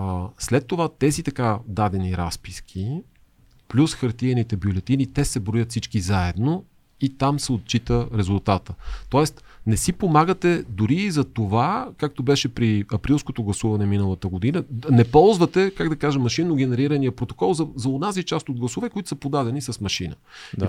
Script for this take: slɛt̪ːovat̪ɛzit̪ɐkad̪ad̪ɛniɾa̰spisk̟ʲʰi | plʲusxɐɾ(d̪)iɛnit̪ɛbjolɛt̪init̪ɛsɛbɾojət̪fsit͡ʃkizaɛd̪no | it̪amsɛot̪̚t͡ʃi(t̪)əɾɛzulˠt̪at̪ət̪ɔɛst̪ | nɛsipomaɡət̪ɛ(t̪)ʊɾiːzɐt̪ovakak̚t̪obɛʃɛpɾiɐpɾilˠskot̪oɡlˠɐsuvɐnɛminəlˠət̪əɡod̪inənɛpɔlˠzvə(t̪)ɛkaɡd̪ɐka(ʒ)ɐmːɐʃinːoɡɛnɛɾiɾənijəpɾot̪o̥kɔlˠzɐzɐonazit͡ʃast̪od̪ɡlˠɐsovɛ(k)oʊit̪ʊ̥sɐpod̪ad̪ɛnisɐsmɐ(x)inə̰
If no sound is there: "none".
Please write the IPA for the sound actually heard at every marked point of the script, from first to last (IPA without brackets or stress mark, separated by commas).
t̪, t̪, d̪, t̪, ʒ, k, ʃ